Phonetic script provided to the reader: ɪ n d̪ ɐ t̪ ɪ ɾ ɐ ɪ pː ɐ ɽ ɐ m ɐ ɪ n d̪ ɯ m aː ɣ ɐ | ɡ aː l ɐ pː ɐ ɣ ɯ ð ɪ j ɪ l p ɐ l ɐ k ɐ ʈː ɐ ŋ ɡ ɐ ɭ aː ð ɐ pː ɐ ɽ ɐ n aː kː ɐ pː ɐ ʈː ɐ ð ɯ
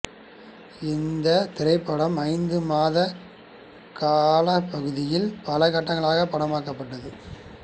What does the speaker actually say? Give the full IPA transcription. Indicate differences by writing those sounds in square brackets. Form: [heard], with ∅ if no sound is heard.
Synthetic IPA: ɪ n d̪ ɐ t̪ ɪ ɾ ɐ ɪ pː ɐ ɽ ɐ m ɐ ɪ n d̪ ɯ m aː [ð] ɐ | [k] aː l ɐ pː ɐ ɣ ɯ ð ɪ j ɪ l p ɐ l ɐ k ɐ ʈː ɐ ŋ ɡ ɐ ɭ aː [ɣ] ɐ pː ɐ ɽ ɐ [m] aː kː ɐ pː ɐ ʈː ɐ ð ɯ

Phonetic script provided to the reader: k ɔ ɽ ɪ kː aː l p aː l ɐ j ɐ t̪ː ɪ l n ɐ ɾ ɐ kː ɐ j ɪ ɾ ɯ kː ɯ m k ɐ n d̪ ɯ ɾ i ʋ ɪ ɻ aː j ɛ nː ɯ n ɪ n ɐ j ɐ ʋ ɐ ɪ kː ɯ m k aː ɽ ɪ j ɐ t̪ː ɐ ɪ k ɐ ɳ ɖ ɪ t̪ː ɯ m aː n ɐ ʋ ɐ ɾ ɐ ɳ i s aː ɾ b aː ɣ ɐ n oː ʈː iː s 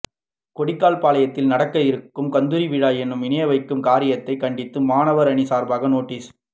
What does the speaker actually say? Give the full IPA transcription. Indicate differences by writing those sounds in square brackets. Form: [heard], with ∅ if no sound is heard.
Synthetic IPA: k ɔ ɽ ɪ kː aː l p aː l ɐ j ɐ t̪ː ɪ l n ɐ [ɽ] ɐ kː ɐ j ɪ ɾ ɯ kː ɯ m k ɐ n d̪ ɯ ɾ i ʋ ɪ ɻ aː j ɛ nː ɯ [m] ɪ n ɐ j ɐ ʋ ɐ ɪ kː ɯ m k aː [ɾ] ɪ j ɐ t̪ː ɐ ɪ k ɐ ɳ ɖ ɪ t̪ː ɯ m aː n ɐ ʋ ɐ ɾ ɐ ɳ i s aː ɾ b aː ɣ ɐ n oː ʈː iː s

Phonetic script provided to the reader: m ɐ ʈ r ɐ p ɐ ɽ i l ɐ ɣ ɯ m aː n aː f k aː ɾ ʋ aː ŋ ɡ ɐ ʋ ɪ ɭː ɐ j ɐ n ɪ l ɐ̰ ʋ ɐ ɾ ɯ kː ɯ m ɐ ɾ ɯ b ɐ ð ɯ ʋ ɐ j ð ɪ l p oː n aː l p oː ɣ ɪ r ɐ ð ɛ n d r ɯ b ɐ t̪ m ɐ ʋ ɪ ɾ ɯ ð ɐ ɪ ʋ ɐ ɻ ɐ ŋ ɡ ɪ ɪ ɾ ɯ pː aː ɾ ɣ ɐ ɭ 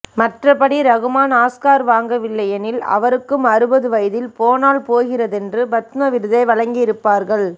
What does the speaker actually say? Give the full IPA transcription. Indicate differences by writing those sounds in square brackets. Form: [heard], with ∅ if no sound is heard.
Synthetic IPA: m ɐ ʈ r ɐ p ɐ ɽ i [ɾ] ɐ ɣ ɯ m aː n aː [s] k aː ɾ ʋ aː ŋ ɡ ɐ ʋ ɪ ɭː ɐ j ɐ n ɪ l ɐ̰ ʋ ɐ ɾ ɯ kː ɯ m ɐ ɾ ɯ b ɐ ð ɯ ʋ ɐ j ð ɪ l p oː n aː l p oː ɣ ɪ r ɐ ð ɛ n d r ɯ b ɐ t̪ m ɐ ʋ ɪ ɾ ɯ ð ɐ ɪ ʋ ɐ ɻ ɐ ŋ ɡ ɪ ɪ ɾ ɯ pː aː ɾ ɣ ɐ ɭ

